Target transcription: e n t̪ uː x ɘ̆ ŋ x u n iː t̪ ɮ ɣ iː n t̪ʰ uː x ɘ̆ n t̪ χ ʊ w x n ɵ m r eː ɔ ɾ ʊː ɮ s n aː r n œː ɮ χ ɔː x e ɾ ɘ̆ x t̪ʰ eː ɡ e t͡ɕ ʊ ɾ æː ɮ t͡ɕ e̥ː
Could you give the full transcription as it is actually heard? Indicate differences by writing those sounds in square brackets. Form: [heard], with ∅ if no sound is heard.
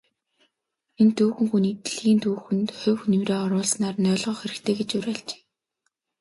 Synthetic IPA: e n t̪ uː x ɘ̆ ŋ x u n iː t̪ ɮ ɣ iː n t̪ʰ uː x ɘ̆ n t̪ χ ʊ w x n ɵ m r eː ɔ ɾ ʊː ɮ s n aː r n œː ɮ [ʁ] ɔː x e ɾ ɘ̆ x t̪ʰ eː ɡ e t͡ɕ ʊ ɾ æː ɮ t͡ɕ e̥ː